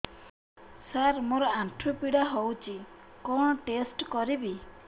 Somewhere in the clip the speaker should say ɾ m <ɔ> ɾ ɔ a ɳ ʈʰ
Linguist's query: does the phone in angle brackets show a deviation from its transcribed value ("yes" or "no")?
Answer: yes